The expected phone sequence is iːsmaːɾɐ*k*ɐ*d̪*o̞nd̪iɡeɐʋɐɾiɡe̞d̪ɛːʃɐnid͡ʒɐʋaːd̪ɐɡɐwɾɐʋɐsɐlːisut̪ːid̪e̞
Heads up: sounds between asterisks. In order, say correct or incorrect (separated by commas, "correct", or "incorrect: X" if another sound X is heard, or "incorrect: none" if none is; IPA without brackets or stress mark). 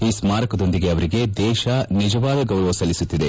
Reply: correct, correct